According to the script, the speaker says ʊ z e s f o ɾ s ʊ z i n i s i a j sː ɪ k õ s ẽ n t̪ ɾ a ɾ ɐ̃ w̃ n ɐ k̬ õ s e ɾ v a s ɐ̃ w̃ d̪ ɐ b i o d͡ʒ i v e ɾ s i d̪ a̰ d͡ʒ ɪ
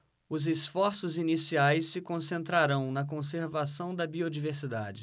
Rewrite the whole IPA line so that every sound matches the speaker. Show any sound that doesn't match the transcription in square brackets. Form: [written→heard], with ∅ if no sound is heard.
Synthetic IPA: ʊ z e s f [o→ɔ] ɾ s ʊ z i n i s i a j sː ɪ k õ s ẽ n t̪ ɾ a ɾ ɐ̃ w̃ n ɐ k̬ õ s e ɾ v a s ɐ̃ w̃ d̪ ɐ b i o d͡ʒ i v e ɾ s i d̪ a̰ d͡ʒ ɪ